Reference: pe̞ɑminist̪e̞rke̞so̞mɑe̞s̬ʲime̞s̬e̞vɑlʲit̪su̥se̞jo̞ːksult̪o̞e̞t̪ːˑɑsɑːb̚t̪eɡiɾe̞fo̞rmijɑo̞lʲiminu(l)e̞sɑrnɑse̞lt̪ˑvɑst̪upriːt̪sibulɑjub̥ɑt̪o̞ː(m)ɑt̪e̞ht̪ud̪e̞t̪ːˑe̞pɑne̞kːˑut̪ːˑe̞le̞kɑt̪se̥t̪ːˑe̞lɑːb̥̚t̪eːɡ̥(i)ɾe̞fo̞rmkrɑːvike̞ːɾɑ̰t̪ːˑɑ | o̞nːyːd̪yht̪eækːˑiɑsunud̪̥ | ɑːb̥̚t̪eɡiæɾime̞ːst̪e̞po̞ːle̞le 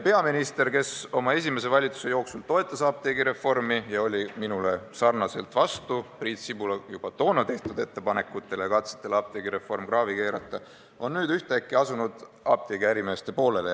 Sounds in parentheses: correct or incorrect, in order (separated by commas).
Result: correct, incorrect, correct